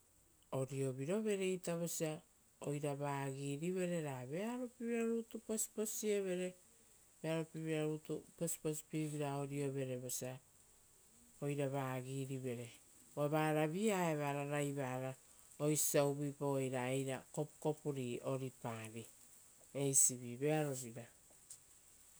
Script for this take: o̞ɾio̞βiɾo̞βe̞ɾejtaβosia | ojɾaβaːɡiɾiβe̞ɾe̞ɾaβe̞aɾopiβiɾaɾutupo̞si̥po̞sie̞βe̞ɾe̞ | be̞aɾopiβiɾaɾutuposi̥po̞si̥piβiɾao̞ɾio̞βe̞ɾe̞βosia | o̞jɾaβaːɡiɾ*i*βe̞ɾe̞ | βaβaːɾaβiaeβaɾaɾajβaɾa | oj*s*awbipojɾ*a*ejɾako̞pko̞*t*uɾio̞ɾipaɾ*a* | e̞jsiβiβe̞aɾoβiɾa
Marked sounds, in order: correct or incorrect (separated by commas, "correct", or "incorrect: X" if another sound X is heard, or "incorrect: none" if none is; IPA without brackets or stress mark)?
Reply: correct, correct, correct, incorrect: p, incorrect: i